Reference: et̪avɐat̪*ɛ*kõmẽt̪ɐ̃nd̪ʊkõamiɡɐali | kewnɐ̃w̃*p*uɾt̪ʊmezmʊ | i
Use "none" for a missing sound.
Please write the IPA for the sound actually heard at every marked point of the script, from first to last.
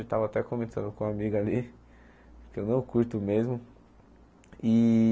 ɛ, k

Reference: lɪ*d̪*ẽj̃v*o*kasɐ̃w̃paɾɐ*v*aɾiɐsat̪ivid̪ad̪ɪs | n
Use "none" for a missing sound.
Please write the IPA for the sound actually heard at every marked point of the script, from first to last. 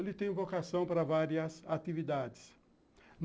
t̪, o, v

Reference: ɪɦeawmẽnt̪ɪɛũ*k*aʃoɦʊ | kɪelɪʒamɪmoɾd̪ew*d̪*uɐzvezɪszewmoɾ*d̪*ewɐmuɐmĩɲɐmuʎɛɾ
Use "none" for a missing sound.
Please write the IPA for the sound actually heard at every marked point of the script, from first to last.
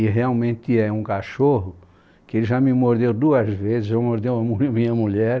k, d̪, d̪

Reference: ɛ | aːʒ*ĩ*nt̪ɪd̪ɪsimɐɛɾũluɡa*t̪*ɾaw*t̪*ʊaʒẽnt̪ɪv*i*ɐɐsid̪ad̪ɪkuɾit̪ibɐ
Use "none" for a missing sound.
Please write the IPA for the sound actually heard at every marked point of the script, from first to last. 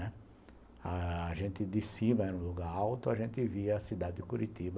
ẽ, none, t̪, i

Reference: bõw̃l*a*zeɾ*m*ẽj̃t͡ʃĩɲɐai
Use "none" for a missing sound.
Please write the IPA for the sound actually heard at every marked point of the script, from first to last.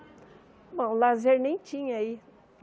a, n

